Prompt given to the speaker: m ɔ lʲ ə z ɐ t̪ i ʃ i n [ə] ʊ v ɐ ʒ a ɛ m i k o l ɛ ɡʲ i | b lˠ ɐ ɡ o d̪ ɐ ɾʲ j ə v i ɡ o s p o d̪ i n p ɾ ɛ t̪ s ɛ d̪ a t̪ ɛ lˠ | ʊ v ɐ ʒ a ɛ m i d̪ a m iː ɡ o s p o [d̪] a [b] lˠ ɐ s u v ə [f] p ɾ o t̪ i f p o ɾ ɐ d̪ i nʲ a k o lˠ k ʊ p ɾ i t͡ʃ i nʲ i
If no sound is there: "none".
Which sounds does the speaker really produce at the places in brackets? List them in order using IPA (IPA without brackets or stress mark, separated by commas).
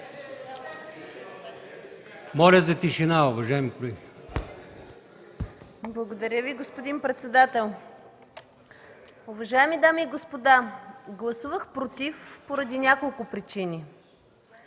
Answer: a, d̪, ɡ, x